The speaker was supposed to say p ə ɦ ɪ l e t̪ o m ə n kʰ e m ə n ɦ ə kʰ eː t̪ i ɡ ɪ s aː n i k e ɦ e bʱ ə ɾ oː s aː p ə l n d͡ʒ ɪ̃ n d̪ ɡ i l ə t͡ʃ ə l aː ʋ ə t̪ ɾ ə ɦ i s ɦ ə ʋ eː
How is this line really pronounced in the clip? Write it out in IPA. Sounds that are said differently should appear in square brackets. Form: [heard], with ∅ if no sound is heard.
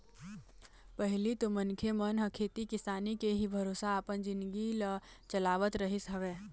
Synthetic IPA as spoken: p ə ɦ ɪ l [i] t̪ o m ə n kʰ e m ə n ɦ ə kʰ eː t̪ i [k] ɪ s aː n i k e ɦ [i] bʱ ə ɾ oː s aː p ə [∅] n d͡ʒ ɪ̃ n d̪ ɡ i l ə t͡ʃ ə l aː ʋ ə t̪ ɾ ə ɦ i s ɦ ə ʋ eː